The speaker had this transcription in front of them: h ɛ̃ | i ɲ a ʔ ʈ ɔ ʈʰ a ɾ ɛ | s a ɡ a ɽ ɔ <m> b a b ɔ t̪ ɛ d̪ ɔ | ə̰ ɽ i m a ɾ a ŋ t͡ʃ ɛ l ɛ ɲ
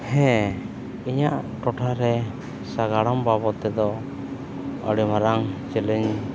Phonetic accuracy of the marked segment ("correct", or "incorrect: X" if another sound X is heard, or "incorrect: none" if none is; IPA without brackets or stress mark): correct